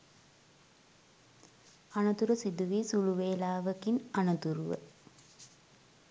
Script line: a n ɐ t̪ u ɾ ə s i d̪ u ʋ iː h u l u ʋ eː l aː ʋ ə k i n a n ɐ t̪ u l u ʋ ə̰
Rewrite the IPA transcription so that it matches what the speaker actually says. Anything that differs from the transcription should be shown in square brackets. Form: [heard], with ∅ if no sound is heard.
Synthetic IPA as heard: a n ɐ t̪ u ɾ ə s i d̪ u ʋ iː [s] u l u ʋ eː l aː ʋ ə k i n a n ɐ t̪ u [ɾ] u ʋ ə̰